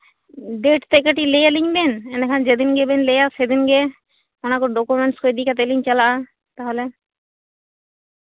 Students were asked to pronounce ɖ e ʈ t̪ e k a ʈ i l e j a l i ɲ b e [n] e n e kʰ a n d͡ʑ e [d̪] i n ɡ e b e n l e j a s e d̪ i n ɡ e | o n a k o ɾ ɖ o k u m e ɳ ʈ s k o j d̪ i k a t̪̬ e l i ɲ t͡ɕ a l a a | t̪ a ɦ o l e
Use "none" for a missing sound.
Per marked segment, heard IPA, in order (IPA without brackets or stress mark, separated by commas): n, d̪